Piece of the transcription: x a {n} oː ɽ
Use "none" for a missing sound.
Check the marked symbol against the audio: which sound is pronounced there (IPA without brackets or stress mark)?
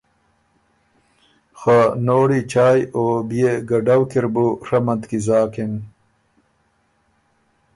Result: n